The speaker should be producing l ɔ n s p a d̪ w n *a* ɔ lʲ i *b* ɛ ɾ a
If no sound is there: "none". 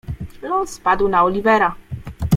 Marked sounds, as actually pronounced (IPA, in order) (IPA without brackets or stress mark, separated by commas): a, v